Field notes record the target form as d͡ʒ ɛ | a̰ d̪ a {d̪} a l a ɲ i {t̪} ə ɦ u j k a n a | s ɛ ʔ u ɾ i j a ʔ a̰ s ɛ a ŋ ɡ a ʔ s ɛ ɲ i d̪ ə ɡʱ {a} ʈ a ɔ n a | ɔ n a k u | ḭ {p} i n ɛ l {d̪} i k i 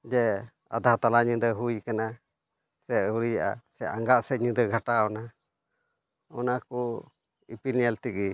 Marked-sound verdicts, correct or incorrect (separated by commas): incorrect, incorrect, correct, correct, incorrect